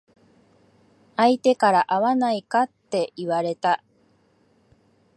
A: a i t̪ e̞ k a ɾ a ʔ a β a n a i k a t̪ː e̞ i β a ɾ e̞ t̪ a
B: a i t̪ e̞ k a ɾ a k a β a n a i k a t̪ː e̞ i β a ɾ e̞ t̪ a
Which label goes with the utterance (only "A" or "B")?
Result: A